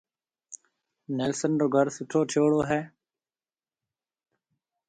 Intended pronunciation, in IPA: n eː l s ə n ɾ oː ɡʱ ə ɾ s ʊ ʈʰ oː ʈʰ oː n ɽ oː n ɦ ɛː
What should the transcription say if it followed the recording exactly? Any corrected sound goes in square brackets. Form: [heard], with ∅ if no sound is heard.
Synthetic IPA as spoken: n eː l s ə n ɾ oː ɡʱ ə ɾ s ʊ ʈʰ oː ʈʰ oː [∅] ɽ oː [∅] ɦ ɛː

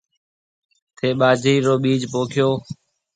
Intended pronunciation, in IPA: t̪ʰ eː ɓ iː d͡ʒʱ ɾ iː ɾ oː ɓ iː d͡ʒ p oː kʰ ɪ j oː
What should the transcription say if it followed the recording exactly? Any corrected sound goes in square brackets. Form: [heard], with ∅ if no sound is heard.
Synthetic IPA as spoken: t̪ʰ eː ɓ [aː] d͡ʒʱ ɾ iː ɾ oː ɓ iː d͡ʒ p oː kʰ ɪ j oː

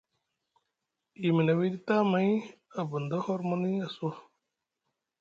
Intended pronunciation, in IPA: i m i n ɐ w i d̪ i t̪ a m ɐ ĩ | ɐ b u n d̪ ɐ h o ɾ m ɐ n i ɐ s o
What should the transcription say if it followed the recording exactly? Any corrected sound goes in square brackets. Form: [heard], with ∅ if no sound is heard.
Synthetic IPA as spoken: i m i n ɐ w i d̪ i t̪ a m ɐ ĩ | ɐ b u n d̪ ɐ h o ɾ m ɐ n i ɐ s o

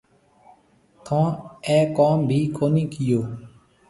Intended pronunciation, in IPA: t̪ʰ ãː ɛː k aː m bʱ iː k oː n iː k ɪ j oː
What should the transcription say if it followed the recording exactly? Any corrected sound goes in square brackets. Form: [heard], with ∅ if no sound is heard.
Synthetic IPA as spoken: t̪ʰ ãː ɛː k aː m bʱ iː k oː n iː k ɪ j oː

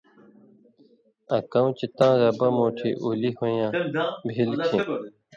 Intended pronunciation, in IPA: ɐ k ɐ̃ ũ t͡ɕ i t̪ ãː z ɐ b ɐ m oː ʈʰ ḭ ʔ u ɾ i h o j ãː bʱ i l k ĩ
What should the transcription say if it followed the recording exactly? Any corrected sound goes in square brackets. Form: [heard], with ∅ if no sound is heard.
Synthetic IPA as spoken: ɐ k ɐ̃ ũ t͡ɕ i t̪ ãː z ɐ b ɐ m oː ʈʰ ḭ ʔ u [l] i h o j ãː bʱ i l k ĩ

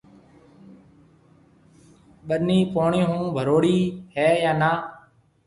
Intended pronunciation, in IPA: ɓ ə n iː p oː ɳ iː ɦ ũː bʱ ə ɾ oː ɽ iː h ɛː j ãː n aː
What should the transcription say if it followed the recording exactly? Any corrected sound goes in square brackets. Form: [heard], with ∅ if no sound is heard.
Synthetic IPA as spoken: ɓ ə n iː p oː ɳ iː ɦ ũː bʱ ə ɾ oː ɽ iː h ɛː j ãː n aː

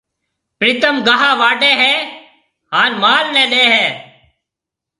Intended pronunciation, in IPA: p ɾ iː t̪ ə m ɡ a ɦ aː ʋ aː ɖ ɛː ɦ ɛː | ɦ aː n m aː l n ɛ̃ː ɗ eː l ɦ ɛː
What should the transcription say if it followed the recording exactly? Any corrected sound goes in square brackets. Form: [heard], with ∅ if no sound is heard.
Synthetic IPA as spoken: p ɾ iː t̪ ə m ɡ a ɦ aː ʋ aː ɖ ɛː ɦ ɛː | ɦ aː n m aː l n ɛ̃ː ɗ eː [∅] ɦ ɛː

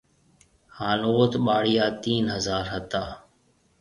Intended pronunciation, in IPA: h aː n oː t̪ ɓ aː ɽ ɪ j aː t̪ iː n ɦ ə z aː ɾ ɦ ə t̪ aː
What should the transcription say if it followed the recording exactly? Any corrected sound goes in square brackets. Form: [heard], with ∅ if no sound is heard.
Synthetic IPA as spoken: h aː n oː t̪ ɓ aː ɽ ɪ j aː t̪ iː n ɦ ə z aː ɾ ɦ ə t̪ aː

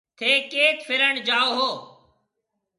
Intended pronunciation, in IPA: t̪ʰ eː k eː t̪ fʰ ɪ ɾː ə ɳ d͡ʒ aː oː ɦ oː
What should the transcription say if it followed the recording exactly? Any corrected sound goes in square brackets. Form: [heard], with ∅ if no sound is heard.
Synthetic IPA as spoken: t̪ʰ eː k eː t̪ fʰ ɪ [ɾ] ə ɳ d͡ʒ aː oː ɦ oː

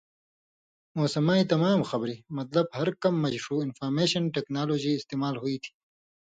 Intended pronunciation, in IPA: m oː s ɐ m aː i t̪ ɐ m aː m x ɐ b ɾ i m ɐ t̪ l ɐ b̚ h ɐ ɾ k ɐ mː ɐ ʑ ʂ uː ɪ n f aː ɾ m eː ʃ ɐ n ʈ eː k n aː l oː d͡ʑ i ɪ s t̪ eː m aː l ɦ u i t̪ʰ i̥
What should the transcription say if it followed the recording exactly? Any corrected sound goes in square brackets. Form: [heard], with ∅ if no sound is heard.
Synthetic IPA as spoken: m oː s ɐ m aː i t̪ ɐ m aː m x ɐ b ɾ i m ɐ t̪ l ɐ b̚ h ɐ ɾ k ɐ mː ɐ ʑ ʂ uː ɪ n f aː ɾ m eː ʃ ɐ n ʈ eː k n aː l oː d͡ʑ i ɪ s t̪ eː m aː l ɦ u i t̪ʰ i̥

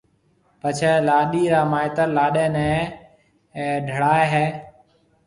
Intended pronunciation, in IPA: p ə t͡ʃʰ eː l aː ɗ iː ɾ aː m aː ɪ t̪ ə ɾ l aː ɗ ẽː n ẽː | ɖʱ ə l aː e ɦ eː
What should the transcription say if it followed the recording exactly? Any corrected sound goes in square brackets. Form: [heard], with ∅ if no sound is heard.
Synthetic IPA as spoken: p ə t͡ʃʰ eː l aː ɗ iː ɾ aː m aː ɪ t̪ ə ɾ l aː ɗ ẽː n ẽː | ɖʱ ə [ɽ] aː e ɦ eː

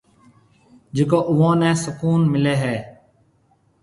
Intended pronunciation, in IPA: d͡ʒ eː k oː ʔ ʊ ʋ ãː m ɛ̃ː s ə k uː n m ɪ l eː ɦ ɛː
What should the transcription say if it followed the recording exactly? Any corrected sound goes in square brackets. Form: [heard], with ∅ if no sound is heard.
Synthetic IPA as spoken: d͡ʒ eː k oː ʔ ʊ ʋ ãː [n] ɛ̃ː s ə k uː n m ɪ l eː ɦ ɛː

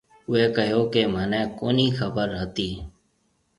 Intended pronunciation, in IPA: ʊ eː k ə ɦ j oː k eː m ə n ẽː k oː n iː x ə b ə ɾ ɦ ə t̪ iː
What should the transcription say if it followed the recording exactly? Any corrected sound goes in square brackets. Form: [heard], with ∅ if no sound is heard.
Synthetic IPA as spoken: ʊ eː k ə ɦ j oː k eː m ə n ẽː k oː n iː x ə b ə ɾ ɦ ə t̪ iː

